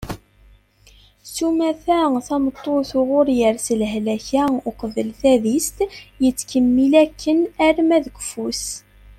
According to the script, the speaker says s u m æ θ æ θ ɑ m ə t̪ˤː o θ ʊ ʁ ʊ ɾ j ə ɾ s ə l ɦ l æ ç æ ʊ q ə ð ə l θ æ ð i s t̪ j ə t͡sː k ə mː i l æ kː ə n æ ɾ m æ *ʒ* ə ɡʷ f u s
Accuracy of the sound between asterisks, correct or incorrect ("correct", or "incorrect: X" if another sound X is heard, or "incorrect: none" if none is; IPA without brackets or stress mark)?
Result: incorrect: ð